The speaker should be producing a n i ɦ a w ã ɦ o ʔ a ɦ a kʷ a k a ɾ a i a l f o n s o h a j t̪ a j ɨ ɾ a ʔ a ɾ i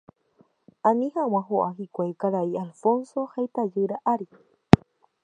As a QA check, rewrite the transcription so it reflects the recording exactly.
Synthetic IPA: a n i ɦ a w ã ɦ o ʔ a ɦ i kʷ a k a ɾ a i a l f o n s o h a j t̪ a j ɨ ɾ a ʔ a ɾ i